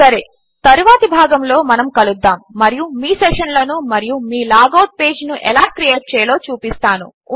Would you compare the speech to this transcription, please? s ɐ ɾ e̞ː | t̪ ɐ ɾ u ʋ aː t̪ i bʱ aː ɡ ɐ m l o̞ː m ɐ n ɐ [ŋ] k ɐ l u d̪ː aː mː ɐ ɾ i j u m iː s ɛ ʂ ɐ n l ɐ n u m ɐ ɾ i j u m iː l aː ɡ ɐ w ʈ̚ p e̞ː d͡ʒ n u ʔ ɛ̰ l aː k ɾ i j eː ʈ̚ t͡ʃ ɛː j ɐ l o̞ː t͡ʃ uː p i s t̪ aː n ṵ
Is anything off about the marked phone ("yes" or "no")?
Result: yes